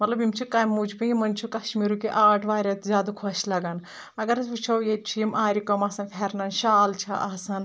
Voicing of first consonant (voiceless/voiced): voiced